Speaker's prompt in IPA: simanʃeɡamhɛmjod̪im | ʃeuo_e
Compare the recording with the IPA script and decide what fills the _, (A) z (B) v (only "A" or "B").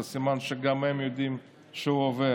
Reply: B